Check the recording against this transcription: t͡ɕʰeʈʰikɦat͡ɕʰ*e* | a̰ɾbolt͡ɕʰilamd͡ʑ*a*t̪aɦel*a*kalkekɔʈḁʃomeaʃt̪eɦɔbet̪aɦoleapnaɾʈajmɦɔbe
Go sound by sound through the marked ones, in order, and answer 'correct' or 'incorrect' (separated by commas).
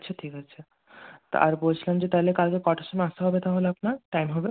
correct, incorrect, incorrect